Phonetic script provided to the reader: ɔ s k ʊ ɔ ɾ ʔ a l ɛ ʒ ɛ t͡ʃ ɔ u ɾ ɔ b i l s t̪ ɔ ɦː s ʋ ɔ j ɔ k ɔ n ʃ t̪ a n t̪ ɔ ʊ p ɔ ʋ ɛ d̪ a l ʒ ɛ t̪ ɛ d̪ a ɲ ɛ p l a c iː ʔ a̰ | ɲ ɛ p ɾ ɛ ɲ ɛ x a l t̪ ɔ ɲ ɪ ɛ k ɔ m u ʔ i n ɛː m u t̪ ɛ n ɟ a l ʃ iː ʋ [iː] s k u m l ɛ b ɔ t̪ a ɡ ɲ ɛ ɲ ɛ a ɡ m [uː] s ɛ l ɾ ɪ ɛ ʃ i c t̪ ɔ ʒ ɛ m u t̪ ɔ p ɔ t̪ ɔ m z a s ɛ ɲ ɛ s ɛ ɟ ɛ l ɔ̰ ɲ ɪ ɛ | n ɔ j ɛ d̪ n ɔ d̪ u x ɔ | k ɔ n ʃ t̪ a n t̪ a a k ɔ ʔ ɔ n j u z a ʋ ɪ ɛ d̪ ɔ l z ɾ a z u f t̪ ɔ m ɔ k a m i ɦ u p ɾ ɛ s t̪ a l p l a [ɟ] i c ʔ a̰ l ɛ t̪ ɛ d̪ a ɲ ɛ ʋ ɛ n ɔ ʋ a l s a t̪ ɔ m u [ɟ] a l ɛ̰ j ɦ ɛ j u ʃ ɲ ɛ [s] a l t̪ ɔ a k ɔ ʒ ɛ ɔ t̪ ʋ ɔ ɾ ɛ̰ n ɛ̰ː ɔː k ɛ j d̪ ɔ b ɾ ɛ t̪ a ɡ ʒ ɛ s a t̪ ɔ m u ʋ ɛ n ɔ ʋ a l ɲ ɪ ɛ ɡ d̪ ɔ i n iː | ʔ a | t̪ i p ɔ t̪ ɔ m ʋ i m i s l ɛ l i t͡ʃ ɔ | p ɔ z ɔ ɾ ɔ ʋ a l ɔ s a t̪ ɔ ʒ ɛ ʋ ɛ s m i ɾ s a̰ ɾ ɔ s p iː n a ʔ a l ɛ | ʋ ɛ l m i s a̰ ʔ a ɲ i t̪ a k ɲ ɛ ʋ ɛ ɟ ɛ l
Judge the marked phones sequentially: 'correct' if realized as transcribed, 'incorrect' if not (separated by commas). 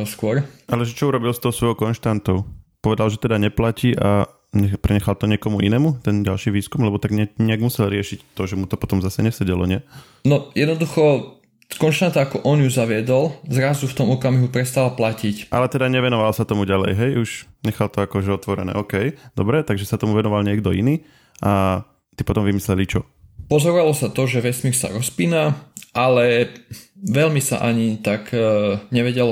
correct, incorrect, incorrect, correct, incorrect